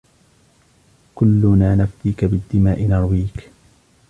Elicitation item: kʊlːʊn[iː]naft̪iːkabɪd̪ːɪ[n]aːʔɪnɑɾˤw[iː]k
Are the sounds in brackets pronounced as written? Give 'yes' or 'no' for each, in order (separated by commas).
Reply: no, no, yes